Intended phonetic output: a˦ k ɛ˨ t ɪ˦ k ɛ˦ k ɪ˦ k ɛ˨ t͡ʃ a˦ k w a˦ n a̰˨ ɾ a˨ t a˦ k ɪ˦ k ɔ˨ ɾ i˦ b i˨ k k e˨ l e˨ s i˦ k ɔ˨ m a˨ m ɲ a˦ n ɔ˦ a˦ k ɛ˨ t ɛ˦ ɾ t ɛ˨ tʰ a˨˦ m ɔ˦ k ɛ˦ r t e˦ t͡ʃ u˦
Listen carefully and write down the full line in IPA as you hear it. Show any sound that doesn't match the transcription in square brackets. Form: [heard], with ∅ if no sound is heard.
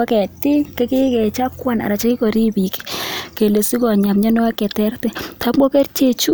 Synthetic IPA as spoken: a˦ k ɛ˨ t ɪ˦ k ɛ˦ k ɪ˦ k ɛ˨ t͡ʃ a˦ k w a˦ n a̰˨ ɾ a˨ [t͡ʃ] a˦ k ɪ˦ k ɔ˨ ɾ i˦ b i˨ k k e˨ l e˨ s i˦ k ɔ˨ [ɲ] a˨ m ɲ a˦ n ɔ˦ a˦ k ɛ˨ t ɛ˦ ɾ t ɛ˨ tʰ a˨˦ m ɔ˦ k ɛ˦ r [t͡ʃ] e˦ t͡ʃ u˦